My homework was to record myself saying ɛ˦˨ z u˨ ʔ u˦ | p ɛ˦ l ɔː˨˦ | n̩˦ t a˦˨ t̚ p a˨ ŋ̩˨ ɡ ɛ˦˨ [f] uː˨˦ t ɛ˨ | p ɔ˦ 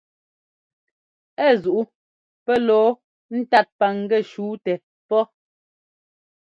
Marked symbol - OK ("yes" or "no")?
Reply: no